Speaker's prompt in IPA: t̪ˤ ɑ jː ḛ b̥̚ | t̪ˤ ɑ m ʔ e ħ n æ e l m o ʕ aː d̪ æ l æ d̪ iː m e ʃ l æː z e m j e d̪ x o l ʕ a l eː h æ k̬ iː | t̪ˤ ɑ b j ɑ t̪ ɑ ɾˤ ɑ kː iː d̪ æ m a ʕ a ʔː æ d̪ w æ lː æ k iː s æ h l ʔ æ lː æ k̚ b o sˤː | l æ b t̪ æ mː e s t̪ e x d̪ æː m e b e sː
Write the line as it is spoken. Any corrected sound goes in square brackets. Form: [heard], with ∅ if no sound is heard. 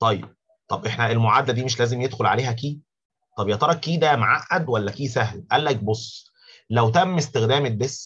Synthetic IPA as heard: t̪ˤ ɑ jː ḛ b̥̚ | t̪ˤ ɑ [b] ʔ e ħ n æ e l m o ʕ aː d̪ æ l æ d̪ iː m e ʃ l æː z e m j e d̪ x o l ʕ a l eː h æ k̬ iː | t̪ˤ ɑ b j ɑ t̪ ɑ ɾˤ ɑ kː iː d̪ æ m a ʕ a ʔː æ d̪ w æ lː æ k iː s æ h l ʔ æ lː æ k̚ b o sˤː | l æ [w] t̪ æ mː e s t̪ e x d̪ æː m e b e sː